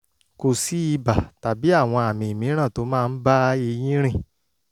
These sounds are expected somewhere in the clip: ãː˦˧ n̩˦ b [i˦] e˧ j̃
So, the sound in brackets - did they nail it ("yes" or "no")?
no